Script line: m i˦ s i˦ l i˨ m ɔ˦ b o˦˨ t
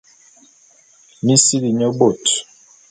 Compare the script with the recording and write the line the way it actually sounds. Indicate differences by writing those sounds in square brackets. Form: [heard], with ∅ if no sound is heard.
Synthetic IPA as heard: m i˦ s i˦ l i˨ [ɲ] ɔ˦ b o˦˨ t